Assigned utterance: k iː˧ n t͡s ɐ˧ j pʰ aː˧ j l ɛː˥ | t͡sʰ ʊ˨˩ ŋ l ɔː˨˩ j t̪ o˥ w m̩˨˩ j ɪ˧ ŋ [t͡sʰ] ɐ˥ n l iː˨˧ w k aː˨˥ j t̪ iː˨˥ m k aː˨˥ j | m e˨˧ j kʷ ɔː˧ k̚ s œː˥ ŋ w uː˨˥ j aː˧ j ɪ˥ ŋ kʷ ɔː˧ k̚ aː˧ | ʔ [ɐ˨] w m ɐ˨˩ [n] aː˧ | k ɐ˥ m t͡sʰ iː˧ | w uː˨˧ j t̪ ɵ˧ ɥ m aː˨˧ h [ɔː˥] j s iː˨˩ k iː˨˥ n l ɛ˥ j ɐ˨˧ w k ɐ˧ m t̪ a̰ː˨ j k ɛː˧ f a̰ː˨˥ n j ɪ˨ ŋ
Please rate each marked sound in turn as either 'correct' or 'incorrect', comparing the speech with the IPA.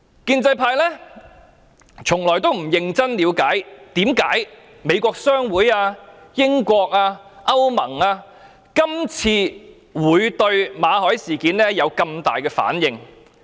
incorrect: t͡s, incorrect: ɐ˥, incorrect: ŋ, incorrect: ɔː˨˥

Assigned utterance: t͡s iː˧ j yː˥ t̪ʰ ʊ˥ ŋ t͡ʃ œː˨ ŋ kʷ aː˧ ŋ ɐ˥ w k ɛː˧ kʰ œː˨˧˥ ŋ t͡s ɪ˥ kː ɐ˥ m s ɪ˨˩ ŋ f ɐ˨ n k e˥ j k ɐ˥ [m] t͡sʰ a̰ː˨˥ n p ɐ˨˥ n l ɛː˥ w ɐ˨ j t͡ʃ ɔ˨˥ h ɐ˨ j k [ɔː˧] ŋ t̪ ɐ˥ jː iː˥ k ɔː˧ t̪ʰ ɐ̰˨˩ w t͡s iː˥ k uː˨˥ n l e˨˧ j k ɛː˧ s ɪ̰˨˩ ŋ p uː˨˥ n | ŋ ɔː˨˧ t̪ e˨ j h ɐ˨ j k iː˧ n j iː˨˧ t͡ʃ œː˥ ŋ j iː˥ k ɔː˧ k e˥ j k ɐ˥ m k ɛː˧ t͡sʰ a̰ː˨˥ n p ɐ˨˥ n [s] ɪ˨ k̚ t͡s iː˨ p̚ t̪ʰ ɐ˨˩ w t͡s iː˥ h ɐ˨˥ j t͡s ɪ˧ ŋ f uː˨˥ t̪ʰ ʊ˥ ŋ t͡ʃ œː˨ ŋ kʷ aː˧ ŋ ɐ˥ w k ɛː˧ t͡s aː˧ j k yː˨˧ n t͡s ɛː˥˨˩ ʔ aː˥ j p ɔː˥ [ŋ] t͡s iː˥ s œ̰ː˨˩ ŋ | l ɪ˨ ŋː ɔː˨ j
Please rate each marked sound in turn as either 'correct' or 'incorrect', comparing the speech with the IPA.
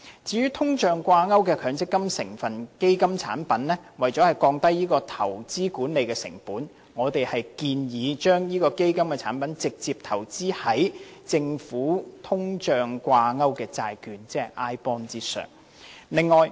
correct, correct, incorrect: t͡s, incorrect: n

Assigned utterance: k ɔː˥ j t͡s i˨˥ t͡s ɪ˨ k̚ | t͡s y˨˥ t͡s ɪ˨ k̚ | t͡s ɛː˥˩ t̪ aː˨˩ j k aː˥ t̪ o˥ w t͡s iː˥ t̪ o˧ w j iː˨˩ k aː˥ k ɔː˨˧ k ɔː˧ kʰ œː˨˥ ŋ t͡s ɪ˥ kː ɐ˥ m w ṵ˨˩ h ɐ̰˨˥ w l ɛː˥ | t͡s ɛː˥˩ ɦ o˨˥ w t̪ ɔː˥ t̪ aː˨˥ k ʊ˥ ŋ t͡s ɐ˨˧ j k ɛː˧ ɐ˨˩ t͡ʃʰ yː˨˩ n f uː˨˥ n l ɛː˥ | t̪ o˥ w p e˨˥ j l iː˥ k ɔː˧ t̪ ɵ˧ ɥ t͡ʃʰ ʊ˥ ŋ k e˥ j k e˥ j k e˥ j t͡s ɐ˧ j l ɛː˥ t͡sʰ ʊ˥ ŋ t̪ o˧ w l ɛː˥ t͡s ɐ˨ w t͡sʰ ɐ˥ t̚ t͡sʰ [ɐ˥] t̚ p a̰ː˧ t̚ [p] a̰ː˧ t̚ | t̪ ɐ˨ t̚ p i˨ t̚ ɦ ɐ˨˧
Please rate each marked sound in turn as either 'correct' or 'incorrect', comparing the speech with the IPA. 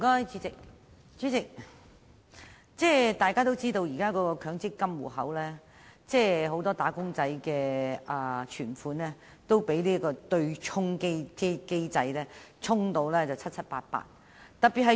correct, correct

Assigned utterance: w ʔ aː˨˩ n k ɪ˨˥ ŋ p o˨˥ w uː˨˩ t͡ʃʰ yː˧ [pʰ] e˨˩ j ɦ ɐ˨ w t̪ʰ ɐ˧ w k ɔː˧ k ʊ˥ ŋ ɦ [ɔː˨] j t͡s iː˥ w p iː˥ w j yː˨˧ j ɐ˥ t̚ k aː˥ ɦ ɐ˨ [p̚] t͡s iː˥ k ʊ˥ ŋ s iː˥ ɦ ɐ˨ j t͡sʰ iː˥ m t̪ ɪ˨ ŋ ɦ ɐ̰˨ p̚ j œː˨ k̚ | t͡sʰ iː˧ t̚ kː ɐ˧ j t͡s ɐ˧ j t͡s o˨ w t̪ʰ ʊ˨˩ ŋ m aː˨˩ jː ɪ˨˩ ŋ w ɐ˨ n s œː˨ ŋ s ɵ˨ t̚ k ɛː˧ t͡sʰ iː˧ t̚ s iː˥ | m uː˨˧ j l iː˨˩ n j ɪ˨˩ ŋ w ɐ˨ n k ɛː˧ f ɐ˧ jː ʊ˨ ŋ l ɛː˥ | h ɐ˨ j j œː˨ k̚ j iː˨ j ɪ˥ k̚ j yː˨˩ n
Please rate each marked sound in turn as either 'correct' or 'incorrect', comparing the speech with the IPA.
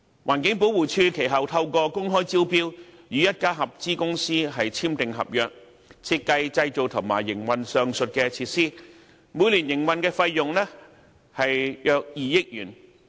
incorrect: kʰ, incorrect: ɔː˥, correct

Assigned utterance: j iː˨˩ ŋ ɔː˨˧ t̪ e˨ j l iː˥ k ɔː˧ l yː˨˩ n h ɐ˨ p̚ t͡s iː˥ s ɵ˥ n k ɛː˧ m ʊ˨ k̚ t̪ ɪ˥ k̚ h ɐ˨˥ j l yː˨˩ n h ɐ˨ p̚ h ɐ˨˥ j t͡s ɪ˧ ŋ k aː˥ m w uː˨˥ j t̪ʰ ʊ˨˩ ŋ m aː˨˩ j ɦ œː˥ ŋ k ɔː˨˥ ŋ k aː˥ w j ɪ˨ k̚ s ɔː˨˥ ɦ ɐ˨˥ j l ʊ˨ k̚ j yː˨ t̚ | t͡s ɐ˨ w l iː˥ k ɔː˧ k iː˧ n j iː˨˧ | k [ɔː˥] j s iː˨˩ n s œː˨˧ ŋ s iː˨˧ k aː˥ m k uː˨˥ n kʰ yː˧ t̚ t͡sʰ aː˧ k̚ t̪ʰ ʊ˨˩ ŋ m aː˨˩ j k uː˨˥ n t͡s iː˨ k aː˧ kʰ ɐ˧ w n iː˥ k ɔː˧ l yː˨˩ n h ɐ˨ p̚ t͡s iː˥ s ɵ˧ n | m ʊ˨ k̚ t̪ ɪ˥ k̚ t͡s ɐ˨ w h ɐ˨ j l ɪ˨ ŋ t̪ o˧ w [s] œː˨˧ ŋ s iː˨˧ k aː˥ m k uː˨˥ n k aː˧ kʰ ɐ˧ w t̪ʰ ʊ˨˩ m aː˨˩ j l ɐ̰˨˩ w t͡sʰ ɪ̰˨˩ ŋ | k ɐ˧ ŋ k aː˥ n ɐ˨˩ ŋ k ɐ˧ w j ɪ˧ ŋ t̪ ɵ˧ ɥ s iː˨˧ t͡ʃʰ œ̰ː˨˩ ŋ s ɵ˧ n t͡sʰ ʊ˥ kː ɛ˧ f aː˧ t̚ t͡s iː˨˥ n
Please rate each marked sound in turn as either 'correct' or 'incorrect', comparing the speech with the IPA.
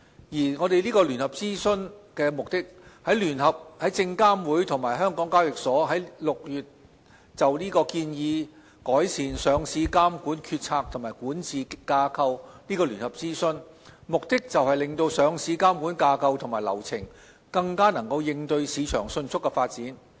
incorrect: ɔː˨˥, correct

